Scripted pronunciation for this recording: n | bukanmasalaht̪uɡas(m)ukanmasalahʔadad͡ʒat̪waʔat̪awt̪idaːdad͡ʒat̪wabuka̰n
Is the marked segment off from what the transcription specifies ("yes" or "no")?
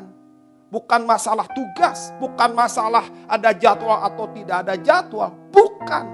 yes